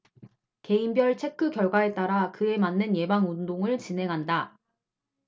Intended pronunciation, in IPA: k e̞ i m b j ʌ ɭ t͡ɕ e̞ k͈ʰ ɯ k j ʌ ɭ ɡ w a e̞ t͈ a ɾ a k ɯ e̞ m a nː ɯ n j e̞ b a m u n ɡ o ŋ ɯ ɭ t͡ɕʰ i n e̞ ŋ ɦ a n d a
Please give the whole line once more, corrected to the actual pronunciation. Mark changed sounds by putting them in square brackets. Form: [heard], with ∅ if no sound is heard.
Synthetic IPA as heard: k e̞ i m b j ʌ ɭ [t͡ɕʰ] e̞ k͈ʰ ɯ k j ʌ ɭ ɡ w a e̞ t͈ a ɾ a k ɯ e̞ m a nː ɯ n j e̞ b a [ŋ] u n [d] o ŋ ɯ ɭ [t͡ɕ] i n e̞ ŋ ɦ a n d a